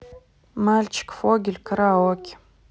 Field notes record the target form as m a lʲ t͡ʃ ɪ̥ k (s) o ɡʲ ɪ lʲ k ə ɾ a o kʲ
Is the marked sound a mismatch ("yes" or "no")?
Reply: yes